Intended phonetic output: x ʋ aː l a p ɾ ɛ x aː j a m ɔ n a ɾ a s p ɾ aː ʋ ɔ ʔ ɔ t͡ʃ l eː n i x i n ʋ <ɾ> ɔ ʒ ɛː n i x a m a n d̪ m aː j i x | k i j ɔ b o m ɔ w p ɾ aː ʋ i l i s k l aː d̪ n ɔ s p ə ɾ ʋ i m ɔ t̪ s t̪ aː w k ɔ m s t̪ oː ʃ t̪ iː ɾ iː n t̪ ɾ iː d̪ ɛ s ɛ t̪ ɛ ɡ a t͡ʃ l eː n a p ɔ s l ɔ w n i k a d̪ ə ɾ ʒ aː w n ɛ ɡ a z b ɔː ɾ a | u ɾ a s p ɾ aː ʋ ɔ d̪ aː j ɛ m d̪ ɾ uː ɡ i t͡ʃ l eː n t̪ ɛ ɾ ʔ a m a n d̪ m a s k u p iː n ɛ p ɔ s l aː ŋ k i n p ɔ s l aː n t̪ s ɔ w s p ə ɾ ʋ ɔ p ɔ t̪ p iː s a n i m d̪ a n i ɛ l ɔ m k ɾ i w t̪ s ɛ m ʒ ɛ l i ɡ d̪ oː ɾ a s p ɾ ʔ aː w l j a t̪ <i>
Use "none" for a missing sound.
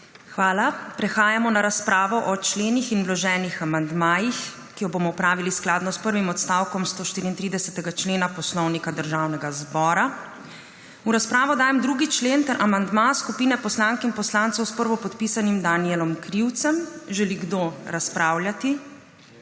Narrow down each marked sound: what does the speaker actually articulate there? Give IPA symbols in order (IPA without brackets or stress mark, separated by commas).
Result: l, i